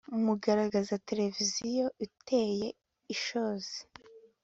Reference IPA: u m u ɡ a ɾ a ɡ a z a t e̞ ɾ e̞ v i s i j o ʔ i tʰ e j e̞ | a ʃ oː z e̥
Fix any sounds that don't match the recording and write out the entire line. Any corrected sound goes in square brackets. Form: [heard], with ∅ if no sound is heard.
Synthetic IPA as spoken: u m u ɡ a ɾ a ɡ a z a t e̞ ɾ e̞ v i [z] i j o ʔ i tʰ e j e̞ | [i] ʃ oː z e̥